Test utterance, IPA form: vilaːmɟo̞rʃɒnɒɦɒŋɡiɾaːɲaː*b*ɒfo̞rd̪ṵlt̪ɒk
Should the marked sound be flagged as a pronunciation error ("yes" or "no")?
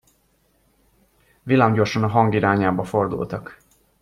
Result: no